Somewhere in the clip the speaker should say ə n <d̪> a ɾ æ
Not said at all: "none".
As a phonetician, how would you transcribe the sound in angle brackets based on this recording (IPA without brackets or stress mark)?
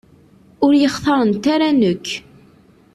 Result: t̪